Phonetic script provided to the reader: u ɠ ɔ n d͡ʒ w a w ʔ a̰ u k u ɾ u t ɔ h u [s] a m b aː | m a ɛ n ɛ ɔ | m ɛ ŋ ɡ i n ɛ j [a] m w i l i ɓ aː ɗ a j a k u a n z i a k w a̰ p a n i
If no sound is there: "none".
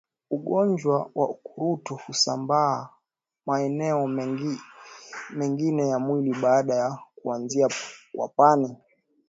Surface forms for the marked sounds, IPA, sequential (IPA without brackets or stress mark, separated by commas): s, a